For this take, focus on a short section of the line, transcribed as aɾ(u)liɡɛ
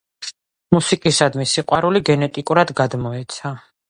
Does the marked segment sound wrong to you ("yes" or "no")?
no